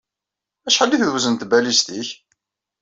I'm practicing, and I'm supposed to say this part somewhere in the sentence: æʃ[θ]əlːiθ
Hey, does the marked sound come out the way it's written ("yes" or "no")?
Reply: no